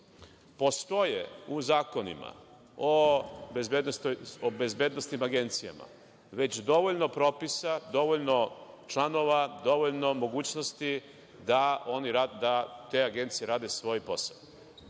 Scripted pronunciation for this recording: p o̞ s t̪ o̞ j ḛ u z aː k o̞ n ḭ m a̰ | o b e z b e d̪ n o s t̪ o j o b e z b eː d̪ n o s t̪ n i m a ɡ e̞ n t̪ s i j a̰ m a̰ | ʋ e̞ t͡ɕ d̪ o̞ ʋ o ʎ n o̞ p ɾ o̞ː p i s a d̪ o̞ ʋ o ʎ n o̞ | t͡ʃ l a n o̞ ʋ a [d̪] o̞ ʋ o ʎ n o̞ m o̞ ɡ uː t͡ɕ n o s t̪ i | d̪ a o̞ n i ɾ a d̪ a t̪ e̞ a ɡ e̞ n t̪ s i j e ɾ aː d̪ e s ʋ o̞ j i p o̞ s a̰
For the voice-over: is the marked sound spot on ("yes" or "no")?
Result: yes